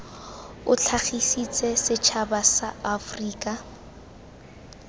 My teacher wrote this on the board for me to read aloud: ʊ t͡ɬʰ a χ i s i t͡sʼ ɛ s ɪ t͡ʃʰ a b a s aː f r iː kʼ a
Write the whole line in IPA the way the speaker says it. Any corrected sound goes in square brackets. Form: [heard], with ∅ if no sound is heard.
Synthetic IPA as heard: ʊ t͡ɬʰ a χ i s i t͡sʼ ɛ s ɪ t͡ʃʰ a b a s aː f r iː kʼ a

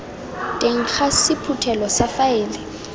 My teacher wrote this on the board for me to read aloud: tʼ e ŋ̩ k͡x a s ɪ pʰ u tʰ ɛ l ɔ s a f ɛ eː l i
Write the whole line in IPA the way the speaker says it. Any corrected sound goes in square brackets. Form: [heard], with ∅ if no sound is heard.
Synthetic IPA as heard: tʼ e ŋ̩ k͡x a s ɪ pʰ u tʰ ɛ l ɔ s a f [a] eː l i

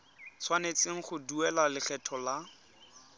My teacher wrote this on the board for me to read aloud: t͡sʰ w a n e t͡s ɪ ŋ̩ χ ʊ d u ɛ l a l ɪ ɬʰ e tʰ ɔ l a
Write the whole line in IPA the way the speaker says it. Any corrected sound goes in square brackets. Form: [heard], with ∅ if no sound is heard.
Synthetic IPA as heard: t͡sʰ w a n e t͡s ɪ ŋ̩ χ ʊ d u ɛ l a l ɪ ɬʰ [ɛ] tʰ ɔ l a

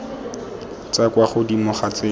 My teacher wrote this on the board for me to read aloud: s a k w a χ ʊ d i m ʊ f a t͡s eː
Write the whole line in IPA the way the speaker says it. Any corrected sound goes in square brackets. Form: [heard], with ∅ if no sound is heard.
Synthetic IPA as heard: [t͡s] a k w a χ ʊ d i m ʊ [χ] a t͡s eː

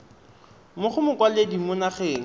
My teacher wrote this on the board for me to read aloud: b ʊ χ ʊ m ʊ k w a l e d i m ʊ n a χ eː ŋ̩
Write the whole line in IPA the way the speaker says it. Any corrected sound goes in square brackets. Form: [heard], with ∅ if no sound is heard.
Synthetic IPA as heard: [m] ʊ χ ʊ m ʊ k w a l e d i m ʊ n a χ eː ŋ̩

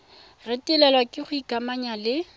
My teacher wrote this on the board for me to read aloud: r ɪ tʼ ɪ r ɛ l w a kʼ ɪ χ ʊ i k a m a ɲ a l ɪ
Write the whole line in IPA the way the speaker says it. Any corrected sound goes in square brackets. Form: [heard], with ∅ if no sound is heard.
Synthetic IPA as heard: r ɪ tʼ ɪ [l] ɛ l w a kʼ ɪ χ ʊ i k a m a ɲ a l ɪ

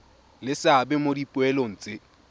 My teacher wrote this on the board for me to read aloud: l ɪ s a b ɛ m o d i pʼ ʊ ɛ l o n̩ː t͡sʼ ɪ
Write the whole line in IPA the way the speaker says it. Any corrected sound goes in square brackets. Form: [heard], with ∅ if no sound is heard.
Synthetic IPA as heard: l ɪ s a b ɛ m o d i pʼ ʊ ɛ l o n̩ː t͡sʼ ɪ

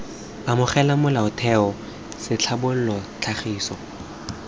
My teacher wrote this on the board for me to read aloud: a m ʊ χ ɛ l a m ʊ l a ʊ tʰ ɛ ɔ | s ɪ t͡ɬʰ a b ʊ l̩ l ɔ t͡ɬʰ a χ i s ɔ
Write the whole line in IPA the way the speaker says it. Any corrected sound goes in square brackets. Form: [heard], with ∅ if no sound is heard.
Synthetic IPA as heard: a m ʊ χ ɛ l a m ʊ l a ʊ tʰ ɛ ɔ | s ɪ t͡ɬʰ a b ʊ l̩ l ɔ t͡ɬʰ a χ [iː] s ɔ

